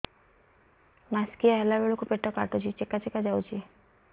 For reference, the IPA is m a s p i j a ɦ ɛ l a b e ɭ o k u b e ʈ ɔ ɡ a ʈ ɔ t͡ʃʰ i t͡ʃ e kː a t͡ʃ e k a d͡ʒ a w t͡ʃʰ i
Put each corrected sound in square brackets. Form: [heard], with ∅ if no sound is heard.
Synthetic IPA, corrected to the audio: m a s [k] i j a ɦ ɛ l a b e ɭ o k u [p] e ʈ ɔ [k] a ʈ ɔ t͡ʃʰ i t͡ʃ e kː a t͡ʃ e k a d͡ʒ a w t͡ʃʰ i